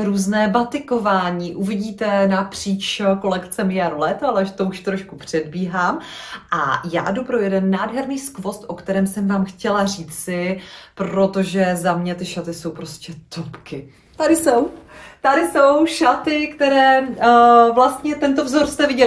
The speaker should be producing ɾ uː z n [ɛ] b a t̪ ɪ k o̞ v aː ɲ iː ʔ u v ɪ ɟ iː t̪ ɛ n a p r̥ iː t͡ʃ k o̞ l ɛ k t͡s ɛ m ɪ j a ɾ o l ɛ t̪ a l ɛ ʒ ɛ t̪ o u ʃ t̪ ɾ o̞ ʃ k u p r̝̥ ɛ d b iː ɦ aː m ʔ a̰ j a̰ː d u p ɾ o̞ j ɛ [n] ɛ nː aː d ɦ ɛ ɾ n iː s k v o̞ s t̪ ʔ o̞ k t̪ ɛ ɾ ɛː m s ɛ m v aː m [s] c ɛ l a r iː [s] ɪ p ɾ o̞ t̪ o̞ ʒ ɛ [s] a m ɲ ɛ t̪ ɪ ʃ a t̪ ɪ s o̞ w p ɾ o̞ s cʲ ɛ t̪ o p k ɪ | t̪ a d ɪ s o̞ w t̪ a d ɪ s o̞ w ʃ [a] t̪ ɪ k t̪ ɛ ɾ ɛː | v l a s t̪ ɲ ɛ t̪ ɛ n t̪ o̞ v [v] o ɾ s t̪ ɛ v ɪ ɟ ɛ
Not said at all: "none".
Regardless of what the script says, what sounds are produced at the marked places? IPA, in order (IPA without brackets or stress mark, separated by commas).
ɛː, d, x, t͡s, z, a, z